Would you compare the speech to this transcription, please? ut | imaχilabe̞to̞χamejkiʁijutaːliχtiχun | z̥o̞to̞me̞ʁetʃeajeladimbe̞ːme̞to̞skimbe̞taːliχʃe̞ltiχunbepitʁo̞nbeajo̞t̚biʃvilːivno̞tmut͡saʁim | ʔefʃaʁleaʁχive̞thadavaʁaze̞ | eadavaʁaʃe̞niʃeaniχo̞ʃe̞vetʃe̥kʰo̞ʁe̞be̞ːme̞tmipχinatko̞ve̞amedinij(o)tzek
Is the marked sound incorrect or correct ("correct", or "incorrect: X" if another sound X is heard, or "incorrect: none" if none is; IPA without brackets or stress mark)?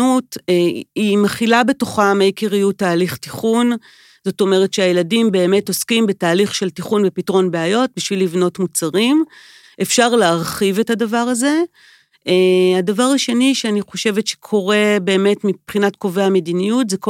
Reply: incorrect: u